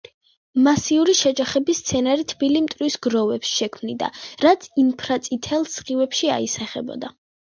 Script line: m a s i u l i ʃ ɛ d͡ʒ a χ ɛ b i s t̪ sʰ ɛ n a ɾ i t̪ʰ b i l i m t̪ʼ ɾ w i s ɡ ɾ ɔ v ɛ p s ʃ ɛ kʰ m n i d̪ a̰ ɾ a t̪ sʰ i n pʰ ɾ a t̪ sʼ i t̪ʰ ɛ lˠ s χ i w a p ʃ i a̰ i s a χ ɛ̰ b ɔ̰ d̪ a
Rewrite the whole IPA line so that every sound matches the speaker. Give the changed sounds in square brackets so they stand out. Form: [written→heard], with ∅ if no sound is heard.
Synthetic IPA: m a s i u [l→ɾ] i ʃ ɛ d͡ʒ a χ ɛ b i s t̪ sʰ ɛ n a ɾ i t̪ʰ b i l i m t̪ʼ ɾ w i s ɡ ɾ ɔ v ɛ p s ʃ ɛ kʰ m n i d̪ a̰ ɾ a t̪ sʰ i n pʰ ɾ a t̪ sʼ i t̪ʰ ɛ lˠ s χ i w [a→ɛ] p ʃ i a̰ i s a χ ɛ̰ b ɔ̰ d̪ a